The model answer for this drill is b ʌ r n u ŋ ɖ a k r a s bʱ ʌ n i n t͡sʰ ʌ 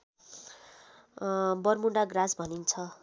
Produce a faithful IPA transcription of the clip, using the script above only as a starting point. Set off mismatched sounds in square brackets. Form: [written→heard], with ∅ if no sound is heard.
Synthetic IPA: b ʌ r [n→m] u [ŋ→ɳ] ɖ a [k→ɡ] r a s bʱ ʌ n i n t͡sʰ ʌ